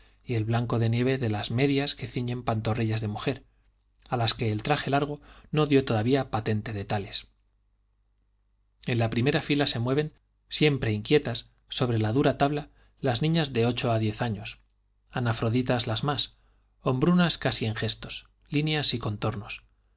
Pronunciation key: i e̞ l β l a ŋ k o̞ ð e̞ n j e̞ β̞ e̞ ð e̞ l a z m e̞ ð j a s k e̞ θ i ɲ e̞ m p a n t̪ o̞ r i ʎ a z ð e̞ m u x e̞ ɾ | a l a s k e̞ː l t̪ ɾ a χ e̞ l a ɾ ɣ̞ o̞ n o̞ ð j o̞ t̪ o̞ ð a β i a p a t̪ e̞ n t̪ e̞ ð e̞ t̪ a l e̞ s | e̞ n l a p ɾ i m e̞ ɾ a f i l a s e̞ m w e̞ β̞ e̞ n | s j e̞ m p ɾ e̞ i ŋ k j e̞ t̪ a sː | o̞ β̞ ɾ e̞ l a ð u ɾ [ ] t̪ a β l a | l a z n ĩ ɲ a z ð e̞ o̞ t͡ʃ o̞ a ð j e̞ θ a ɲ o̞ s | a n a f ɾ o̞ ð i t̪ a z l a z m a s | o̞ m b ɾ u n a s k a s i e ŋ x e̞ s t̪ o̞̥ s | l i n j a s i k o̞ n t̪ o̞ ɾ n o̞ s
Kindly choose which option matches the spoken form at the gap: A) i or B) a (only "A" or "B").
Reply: B